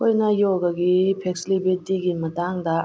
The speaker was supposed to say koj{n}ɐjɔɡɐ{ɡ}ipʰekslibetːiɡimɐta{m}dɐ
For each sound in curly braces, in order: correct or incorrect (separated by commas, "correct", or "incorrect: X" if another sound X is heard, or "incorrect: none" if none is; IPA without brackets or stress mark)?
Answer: correct, correct, incorrect: ŋ